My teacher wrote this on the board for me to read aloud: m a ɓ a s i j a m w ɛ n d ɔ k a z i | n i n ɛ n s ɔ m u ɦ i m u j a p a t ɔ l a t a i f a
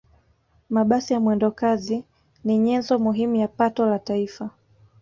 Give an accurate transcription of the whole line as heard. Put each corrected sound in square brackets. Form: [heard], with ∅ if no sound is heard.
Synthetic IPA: m a ɓ a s i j a m w ɛ n d ɔ k a z i | n i [ɲ] ɛ n [z] ɔ m u ɦ i m u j a p a t ɔ l a t a i f a